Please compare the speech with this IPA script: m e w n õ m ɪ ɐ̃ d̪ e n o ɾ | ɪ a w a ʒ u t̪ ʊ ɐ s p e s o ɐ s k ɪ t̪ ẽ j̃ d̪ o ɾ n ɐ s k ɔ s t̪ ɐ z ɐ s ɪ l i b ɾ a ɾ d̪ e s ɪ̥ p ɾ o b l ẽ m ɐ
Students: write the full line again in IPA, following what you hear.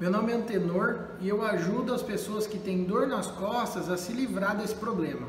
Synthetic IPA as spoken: m e w n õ m ɪ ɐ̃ t̪ e n o ɾ | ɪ e w a ʒ u d̪ ʊ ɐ s p e s o ɐ s k ɪ t̪ ẽ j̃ d̪ o ɾ n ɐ s k ɔ s t̪ ɐ z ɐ s ɪ l i v ɾ a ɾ d̪ e s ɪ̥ p ɾ o b l ẽ m ɐ